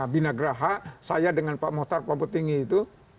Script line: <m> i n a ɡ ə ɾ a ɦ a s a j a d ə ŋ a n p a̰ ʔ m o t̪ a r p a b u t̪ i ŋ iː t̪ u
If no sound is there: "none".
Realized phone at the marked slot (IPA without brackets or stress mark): b